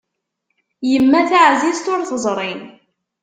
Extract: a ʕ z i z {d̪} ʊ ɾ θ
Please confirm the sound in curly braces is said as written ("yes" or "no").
no